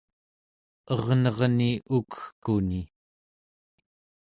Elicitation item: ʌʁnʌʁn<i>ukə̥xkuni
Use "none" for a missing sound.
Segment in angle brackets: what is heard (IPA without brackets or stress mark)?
i